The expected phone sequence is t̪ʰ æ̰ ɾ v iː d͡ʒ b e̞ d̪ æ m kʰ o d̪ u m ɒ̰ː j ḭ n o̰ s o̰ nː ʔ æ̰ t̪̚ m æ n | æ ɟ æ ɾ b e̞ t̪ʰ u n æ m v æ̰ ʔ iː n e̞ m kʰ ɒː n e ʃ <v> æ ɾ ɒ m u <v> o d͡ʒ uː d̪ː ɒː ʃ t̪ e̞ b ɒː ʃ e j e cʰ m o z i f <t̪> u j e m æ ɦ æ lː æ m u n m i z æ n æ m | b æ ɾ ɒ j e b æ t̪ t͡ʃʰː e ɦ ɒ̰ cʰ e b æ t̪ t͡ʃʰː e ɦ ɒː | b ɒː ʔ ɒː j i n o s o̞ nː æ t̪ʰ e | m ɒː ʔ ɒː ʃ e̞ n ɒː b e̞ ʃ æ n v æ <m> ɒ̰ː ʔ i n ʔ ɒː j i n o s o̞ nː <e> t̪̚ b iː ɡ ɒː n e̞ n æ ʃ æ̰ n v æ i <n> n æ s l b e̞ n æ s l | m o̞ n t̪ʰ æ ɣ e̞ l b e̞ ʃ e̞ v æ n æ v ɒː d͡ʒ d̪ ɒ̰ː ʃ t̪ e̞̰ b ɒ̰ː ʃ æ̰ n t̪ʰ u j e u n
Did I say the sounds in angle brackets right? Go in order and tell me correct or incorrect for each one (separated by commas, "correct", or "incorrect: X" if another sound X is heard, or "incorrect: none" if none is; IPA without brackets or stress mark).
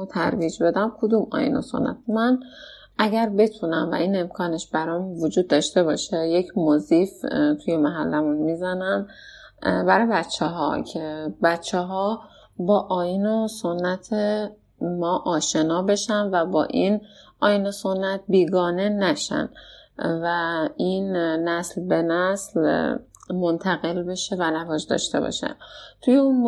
incorrect: b, correct, incorrect: t̪ʰ, incorrect: b, incorrect: æ, correct